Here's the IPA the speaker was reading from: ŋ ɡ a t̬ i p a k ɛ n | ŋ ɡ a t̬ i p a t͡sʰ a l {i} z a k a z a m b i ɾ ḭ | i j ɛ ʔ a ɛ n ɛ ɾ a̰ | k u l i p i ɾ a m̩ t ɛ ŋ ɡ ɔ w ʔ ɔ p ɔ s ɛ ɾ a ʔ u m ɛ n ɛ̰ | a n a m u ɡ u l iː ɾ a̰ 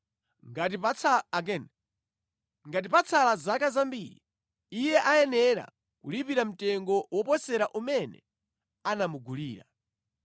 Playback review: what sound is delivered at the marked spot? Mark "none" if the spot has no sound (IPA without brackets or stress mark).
a